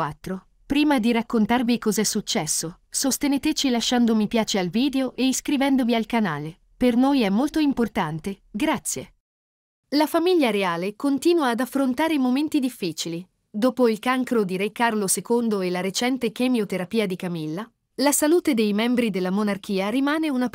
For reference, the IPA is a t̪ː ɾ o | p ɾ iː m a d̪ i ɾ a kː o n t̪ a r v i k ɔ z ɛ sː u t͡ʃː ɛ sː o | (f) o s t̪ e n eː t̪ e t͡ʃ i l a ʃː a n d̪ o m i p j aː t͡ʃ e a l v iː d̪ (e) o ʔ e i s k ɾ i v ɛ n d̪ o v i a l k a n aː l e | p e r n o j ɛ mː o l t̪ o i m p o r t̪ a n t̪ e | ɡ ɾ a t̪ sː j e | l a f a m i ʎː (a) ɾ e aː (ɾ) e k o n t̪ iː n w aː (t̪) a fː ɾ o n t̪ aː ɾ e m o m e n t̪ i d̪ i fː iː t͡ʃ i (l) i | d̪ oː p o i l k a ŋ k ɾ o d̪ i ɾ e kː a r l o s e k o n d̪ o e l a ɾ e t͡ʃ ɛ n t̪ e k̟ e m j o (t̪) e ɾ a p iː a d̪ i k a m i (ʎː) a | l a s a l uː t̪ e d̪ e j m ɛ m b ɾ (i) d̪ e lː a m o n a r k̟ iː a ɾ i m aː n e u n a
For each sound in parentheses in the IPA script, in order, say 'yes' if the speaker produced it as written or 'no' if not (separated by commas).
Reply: no, yes, yes, no, no, yes, yes, no, yes